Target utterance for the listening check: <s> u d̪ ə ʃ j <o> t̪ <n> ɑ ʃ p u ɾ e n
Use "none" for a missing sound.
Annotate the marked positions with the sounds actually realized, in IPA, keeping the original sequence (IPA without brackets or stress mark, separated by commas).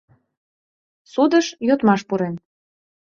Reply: s, o, m